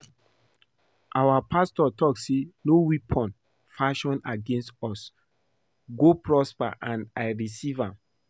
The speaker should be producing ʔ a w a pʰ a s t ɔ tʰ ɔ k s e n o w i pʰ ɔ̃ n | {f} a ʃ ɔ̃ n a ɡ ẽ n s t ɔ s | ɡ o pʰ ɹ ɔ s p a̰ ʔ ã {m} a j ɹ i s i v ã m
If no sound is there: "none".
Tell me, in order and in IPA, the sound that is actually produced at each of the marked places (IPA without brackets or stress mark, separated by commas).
f, n